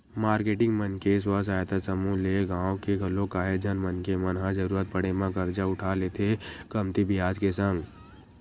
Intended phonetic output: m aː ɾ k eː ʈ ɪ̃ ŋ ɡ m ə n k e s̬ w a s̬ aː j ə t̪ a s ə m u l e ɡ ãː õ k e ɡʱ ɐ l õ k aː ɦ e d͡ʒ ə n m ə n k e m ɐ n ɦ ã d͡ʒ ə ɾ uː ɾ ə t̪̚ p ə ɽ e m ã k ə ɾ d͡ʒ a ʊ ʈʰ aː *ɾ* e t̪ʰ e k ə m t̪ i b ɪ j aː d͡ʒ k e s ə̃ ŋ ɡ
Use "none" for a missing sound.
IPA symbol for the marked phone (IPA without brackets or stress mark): l